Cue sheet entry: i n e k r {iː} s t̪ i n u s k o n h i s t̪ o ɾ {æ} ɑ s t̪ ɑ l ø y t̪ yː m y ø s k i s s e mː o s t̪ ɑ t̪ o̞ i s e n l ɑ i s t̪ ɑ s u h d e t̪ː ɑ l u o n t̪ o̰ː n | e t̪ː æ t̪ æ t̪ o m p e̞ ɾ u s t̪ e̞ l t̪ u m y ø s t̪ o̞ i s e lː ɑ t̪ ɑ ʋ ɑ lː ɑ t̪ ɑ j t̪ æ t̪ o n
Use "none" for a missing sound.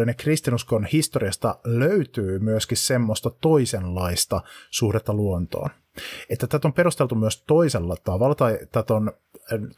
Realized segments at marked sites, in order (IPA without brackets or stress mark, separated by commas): i, i